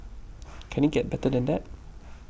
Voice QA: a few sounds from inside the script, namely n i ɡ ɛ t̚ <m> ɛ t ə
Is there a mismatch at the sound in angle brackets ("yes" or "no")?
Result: yes